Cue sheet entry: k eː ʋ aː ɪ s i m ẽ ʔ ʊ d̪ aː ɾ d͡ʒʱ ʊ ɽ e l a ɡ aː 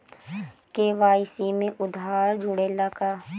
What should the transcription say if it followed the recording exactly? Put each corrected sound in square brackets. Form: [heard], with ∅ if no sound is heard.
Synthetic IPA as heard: k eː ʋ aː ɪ s i m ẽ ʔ ʊ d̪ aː ɾ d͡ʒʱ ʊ ɽ e l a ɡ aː

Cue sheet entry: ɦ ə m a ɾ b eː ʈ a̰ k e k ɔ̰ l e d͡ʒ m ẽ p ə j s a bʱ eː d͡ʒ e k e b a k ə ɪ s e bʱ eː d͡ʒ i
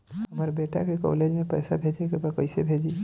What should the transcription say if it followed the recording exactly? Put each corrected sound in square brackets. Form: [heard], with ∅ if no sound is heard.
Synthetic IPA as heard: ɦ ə m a ɾ b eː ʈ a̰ k e k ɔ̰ l e d͡ʒ m ẽ p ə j s a bʱ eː d͡ʒ e k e b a k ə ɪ s e bʱ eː d͡ʒ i

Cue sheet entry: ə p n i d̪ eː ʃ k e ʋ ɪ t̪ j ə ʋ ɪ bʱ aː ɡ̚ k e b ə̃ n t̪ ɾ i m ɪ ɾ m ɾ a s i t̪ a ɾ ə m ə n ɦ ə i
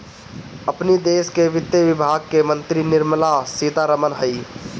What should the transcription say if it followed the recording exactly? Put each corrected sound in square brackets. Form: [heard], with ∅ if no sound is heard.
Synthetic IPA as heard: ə p n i d̪ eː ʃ k e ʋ ɪ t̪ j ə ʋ ɪ bʱ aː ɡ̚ k e [m] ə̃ n t̪ ɾ i [n] ɪ ɾ m [l] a s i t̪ a ɾ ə m ə n ɦ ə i

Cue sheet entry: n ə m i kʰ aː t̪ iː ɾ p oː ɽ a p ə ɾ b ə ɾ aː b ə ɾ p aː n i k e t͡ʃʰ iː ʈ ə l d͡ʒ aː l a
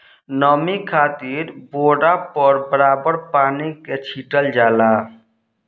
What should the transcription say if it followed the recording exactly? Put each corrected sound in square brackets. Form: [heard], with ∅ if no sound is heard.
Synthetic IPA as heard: n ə m i kʰ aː t̪ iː ɾ [b] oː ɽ a p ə ɾ b ə ɾ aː b ə ɾ p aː n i k e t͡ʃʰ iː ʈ ə l d͡ʒ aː l a

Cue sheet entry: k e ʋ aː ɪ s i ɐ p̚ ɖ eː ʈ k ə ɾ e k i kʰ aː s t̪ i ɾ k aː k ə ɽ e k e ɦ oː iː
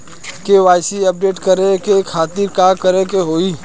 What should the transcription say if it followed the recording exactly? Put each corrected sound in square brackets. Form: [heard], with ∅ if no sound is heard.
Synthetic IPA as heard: k e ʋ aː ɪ s i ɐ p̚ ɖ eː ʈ k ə ɾ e k [e] kʰ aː [∅] t̪ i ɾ k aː k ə [ɾ] e k e ɦ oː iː

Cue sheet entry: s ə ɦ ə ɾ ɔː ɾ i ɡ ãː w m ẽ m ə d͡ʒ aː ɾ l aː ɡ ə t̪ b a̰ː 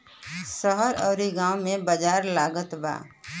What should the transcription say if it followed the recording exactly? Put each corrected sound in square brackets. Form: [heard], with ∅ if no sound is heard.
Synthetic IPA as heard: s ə ɦ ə ɾ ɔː ɾ i ɡ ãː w m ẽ [b] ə d͡ʒ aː ɾ l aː ɡ ə t̪ b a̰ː

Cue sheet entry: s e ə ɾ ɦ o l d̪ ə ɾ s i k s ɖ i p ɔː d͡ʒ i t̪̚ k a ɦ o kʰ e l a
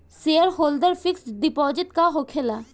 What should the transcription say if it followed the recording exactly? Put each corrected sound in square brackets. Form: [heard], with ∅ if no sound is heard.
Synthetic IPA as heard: s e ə ɾ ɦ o l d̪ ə ɾ [f] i k s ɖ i p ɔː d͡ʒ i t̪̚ k a ɦ o kʰ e l a

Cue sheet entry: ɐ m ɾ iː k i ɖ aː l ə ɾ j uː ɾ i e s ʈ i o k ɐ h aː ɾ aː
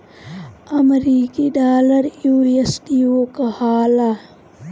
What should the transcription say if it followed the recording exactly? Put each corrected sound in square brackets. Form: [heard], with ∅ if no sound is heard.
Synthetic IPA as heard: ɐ m ɾ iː k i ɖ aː l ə ɾ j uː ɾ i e s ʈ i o k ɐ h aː [l] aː

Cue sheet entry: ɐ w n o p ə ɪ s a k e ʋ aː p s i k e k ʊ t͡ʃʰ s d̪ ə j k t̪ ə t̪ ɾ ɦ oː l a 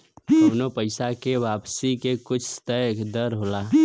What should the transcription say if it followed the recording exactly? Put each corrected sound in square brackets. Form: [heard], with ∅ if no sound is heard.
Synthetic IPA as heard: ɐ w n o p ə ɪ s a k e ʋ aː p s i k e k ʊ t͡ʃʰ s [t̪] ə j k [d̪] ə [∅] ɾ ɦ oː l a

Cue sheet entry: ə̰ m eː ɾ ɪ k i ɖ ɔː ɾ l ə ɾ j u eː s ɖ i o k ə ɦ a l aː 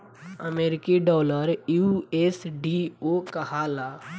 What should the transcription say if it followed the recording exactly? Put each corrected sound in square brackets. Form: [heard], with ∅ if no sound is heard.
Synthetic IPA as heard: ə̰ m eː ɾ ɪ k i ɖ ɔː [∅] l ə ɾ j u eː s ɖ i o k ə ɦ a l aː

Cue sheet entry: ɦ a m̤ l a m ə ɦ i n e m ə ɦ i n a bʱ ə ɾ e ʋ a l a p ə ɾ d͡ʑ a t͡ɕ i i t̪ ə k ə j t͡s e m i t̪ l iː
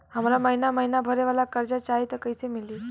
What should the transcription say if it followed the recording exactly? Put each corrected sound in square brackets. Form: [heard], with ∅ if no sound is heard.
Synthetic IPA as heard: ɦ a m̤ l a m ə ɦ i n [a] m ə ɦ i n a bʱ ə ɾ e ʋ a l a [k] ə ɾ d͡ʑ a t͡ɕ [a] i t̪ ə k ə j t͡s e m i [∅] l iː

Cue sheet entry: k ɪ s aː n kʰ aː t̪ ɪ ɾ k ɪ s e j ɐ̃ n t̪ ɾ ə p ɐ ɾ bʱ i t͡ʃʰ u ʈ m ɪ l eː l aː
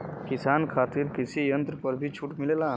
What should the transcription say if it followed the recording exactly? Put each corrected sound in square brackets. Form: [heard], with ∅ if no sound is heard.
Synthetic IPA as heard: k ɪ s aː n kʰ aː t̪ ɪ ɾ k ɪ s [i] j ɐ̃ n t̪ ɾ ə p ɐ ɾ bʱ i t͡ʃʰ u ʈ m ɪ l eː l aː

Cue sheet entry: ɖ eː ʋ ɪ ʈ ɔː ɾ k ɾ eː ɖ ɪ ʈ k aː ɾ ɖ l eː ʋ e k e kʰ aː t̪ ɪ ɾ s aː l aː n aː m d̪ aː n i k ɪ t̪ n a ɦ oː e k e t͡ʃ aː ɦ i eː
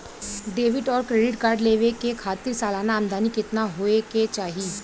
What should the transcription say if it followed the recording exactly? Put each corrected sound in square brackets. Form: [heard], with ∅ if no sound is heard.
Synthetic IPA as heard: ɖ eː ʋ ɪ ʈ ɔː ɾ k ɾ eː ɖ ɪ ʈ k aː ɾ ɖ l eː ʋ e k e kʰ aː t̪ ɪ ɾ s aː l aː n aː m d̪ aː n i k ɪ t̪ n a ɦ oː e k e t͡ʃ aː ɦ i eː

